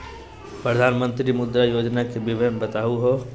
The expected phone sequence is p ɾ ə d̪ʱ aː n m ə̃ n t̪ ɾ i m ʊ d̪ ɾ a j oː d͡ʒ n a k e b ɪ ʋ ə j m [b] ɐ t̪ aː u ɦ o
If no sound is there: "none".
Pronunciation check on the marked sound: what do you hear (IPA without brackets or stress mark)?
b